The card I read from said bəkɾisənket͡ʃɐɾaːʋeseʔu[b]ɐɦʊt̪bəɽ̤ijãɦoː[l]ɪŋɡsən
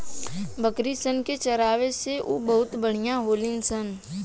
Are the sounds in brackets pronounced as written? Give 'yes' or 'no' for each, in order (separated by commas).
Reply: yes, yes